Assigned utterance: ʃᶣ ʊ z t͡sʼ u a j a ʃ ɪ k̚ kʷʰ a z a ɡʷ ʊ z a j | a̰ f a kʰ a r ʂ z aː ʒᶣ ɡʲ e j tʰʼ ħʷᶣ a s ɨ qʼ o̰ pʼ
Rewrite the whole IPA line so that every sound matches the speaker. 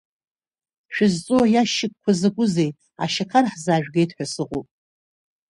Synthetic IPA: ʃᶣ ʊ z t͡sʼ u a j a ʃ ɪ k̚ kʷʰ a z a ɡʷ ʊ z e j | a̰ ʃ a kʰ a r ħ z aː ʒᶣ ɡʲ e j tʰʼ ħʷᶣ a s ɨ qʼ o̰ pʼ